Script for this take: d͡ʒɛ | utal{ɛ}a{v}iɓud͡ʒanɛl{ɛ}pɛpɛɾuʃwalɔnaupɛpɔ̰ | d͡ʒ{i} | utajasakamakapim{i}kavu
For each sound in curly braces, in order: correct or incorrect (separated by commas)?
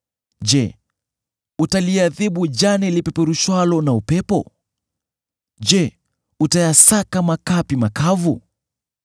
incorrect, incorrect, incorrect, incorrect, incorrect